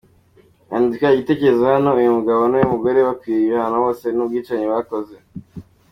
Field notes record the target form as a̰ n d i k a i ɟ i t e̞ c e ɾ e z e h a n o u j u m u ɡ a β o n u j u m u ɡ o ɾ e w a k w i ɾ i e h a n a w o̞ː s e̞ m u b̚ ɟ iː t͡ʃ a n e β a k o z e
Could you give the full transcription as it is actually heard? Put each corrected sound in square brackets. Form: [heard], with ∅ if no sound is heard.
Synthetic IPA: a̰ n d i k a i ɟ i t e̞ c e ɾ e z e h a n o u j u m u ɡ a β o n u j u m u ɡ o ɾ e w a k w i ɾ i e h a n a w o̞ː s e̞ [n] u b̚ [ɡ] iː t͡ʃ a [ɲ] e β a k o z e